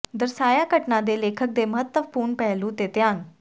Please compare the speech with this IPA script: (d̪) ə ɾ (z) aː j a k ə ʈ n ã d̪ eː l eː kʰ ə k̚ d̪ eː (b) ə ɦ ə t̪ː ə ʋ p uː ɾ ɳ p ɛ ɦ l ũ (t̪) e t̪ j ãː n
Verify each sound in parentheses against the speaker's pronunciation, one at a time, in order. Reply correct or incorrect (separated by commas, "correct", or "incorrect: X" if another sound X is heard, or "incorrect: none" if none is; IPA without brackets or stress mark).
correct, incorrect: s, incorrect: m, correct